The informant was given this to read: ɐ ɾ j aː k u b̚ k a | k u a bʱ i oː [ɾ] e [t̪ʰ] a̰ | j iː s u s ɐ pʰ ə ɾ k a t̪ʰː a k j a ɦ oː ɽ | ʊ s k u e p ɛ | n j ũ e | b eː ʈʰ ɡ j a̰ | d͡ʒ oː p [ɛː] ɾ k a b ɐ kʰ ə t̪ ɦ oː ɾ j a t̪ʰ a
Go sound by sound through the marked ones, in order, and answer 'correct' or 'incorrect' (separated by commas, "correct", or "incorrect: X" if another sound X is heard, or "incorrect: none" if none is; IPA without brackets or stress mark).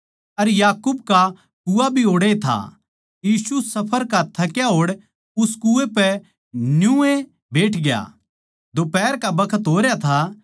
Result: incorrect: ɽ, correct, correct